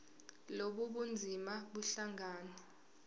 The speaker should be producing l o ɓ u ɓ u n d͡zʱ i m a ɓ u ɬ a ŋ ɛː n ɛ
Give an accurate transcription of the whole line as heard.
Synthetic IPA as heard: l o ɓ u ɓ u n d͡zʱ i m a ɓ u ɬ a ŋ aː n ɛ